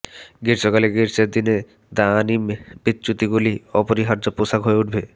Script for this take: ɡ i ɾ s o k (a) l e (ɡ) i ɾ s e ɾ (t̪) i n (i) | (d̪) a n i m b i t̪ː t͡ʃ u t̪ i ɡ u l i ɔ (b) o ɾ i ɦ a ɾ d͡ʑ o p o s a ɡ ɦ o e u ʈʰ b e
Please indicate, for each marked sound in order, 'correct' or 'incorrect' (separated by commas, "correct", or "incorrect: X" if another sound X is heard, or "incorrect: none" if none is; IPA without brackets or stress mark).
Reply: correct, correct, incorrect: d̪, incorrect: e, correct, incorrect: p